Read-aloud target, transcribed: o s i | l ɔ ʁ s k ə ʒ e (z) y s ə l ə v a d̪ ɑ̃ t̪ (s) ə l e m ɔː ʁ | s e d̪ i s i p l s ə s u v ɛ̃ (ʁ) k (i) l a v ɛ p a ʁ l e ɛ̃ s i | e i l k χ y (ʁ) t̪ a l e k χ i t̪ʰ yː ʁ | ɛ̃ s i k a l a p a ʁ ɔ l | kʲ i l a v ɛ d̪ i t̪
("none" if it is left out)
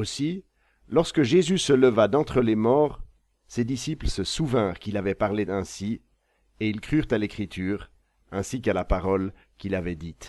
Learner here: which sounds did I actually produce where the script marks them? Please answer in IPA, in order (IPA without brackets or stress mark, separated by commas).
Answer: z, χ, ʁ, i, ʁ